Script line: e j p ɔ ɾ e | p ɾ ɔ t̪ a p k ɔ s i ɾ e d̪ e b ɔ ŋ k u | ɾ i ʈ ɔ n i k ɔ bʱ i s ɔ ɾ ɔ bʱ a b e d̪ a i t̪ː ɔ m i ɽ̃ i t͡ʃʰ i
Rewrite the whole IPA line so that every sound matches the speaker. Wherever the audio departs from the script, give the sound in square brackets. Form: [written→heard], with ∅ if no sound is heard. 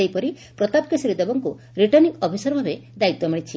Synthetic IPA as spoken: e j p ɔ ɾ [e→i] | p ɾ ɔ t̪ a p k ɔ s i ɾ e d̪ e b ɔ ŋ k u | ɾ i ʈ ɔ n i k ɔ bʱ i s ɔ ɾ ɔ bʱ a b e d̪ a i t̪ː ɔ m i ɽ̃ i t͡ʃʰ i